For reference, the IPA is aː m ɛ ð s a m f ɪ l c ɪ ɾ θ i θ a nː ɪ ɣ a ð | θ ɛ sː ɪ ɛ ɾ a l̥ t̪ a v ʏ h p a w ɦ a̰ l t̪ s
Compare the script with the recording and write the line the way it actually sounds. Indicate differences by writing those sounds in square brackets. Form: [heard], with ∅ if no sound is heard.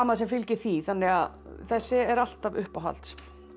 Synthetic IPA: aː m [a] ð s [ɛ] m f ɪ l c ɪ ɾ θ i θ a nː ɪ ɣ a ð | θ ɛ sː ɪ ɛ ɾ a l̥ t̪ a v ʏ h p a w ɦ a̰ l t̪ s